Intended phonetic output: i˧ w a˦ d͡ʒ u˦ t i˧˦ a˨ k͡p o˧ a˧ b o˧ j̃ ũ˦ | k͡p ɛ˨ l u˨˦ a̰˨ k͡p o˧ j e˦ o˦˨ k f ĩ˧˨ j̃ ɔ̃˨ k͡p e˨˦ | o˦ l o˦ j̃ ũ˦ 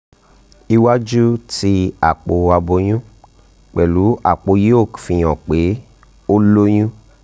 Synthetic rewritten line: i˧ w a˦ d͡ʒ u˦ t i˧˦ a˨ k͡p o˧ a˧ b o˧ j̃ ũ˦ | k͡p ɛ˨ l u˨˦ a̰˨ k͡p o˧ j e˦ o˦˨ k f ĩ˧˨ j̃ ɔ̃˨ k͡p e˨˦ | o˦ l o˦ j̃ ũ˦